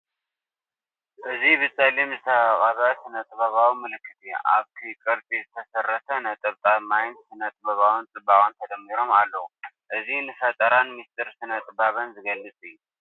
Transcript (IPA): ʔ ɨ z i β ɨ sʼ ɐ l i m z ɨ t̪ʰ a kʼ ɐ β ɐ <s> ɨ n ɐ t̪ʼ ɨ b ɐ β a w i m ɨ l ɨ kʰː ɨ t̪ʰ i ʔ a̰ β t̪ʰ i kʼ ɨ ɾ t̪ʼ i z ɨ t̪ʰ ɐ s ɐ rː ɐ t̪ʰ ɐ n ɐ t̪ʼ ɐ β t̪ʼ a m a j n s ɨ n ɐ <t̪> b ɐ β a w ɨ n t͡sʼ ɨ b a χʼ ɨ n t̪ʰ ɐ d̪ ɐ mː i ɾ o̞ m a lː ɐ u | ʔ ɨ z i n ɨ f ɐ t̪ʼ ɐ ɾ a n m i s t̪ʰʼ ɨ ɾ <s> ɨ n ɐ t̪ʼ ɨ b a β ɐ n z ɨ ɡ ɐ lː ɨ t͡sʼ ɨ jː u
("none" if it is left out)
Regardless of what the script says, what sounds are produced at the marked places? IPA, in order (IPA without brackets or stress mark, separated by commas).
s, t̪ʼ, s